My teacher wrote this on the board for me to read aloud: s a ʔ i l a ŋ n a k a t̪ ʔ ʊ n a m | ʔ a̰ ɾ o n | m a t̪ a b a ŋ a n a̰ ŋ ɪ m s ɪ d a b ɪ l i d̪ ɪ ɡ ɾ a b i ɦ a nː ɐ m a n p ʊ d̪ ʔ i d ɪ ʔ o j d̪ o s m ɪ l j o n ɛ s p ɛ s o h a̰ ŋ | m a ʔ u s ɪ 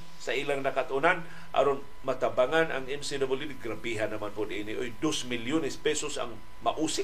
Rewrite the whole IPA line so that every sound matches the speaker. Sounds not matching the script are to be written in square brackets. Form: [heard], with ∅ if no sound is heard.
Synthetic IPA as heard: s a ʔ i l a ŋ n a k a t̪ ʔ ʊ n a [n] | ʔ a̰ ɾ o n | m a t̪ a b a ŋ a n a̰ ŋ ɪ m s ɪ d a b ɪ l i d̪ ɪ ɡ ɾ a b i ɦ a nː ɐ m a n p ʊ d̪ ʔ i [n] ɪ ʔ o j d̪ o s m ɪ l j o n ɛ s p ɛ s o [s] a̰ ŋ | m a ʔ u s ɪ